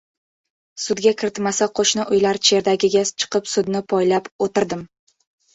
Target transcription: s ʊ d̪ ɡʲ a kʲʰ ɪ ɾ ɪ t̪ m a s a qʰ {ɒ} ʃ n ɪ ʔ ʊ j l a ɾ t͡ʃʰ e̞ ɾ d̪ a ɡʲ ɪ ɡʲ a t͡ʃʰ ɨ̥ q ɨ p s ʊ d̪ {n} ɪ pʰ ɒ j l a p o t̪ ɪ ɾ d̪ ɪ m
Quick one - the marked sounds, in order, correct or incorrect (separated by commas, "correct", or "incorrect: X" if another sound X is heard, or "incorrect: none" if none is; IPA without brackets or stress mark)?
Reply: incorrect: o, correct